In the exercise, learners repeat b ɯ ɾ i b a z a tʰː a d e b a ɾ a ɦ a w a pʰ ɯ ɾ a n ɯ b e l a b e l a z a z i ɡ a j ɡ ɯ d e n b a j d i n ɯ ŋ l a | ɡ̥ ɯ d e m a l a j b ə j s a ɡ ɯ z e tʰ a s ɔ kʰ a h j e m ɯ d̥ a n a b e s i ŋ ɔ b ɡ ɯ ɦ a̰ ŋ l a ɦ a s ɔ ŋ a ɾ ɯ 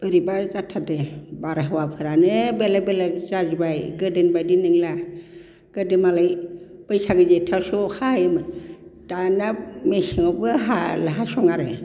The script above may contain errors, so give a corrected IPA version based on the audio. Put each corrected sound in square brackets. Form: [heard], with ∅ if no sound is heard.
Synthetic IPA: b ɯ ɾ i b a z a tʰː a d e b a ɾ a ɦ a w a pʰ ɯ ɾ a n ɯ b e l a b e l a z a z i [b] a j ɡ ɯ d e n b a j d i n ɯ ŋ l a | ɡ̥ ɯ d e m a l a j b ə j s a ɡ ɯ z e tʰ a s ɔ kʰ a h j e m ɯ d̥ a n a [m] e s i ŋ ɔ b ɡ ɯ ɦ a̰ [∅] l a ɦ a s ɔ ŋ a ɾ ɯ